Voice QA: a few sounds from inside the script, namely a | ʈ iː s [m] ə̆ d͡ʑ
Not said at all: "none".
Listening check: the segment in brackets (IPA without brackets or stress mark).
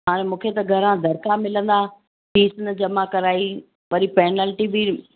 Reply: n